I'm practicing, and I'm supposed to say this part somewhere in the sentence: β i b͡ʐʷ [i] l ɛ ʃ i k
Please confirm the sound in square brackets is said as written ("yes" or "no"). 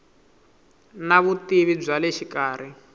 no